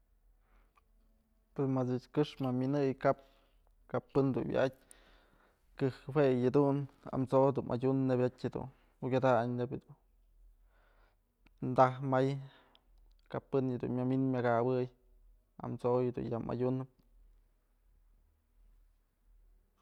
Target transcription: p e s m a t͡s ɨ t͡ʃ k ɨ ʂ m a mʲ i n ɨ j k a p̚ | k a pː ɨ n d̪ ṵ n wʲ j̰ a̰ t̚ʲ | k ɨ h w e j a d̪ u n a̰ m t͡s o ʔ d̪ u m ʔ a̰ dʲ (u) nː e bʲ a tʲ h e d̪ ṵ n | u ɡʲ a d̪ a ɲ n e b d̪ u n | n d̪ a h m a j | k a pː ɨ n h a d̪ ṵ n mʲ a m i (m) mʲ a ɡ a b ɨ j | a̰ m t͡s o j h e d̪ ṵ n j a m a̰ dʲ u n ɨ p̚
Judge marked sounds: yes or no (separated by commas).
yes, no